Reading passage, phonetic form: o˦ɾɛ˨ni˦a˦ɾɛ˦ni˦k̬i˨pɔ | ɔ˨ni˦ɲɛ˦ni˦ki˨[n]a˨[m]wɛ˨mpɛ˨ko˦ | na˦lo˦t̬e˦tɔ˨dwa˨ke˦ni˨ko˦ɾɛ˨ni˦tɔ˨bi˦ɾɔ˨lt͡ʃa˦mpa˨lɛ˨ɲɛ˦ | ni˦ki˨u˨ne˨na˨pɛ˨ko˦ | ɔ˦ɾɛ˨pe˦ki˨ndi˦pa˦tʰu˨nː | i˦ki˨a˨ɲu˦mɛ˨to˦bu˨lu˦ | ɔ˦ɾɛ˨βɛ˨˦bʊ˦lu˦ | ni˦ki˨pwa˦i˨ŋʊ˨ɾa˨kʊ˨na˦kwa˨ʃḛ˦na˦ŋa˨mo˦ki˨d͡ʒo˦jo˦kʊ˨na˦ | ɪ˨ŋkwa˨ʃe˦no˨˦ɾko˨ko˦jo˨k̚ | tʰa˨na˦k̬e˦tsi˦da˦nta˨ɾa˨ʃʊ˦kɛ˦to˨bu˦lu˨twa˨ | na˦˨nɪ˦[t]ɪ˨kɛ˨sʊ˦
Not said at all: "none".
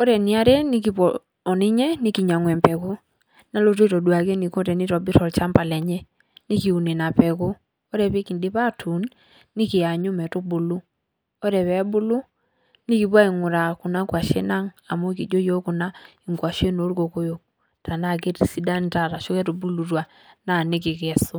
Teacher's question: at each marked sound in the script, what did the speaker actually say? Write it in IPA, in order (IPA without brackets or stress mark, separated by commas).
ɲ, ŋ, k